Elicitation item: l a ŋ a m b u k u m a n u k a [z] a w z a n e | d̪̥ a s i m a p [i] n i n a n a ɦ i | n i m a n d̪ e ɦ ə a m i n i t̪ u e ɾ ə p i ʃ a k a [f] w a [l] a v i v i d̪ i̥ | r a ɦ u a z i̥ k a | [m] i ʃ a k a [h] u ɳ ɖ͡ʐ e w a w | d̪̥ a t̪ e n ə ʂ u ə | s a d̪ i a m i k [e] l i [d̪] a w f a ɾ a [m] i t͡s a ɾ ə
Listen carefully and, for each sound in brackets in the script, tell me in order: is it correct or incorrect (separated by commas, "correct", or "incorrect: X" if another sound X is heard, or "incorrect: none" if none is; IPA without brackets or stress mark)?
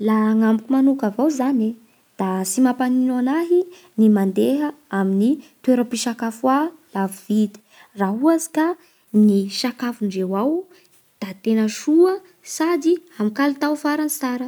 incorrect: v, incorrect: a, correct, correct, incorrect: n, incorrect: f, incorrect: a, incorrect: t̪, incorrect: n